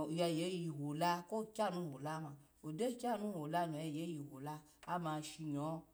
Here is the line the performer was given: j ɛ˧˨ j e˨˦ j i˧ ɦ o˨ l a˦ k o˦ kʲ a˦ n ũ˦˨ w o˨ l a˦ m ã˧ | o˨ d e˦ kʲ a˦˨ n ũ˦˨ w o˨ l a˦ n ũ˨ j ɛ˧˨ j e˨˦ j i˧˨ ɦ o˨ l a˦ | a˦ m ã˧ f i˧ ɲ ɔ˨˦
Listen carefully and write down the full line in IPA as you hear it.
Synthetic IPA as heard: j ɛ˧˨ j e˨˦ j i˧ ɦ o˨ l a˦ k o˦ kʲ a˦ n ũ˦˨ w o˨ l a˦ m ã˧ | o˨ d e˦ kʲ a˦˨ n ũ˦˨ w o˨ l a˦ n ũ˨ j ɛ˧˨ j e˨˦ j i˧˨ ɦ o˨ l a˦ | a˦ m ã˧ ʃ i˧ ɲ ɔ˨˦